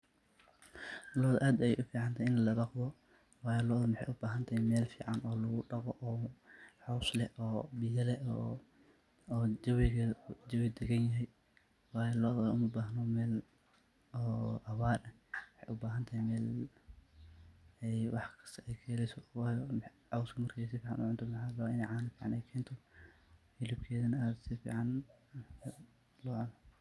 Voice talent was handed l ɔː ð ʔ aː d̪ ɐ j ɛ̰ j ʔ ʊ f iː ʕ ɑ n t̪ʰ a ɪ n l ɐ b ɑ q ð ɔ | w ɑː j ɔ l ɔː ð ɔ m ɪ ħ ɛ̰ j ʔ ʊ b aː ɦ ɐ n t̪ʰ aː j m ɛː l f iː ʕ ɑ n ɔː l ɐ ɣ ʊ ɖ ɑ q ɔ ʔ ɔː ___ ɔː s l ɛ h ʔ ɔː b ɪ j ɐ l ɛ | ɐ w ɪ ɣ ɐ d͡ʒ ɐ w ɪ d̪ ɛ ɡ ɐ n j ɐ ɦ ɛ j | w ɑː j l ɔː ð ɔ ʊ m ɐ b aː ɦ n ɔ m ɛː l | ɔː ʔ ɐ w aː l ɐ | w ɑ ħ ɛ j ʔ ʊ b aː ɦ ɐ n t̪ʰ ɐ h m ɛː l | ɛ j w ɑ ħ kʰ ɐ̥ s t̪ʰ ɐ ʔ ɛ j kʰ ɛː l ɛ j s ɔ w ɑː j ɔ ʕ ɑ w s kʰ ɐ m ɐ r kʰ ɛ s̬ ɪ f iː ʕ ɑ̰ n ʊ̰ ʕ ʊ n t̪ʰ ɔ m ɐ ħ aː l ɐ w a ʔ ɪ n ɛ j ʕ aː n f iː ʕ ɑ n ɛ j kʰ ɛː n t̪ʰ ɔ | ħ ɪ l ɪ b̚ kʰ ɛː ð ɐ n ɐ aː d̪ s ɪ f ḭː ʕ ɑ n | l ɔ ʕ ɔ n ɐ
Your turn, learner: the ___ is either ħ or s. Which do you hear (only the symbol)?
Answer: ħ